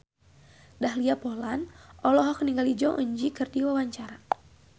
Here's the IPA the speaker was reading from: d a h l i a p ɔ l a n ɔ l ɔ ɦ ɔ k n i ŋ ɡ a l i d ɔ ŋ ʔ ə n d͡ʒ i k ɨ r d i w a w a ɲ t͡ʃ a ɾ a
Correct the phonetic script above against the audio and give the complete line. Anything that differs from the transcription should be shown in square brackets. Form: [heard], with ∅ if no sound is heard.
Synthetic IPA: d a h l i a p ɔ l a n ɔ l ɔ ɦ ɔ k n i ŋ ɡ a l i [d͡ʒ] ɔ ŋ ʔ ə [ɲ] d͡ʒ i k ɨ r d i w a w a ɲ t͡ʃ a ɾ a